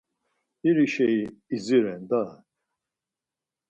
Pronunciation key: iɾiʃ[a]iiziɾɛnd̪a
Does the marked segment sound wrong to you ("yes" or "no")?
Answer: yes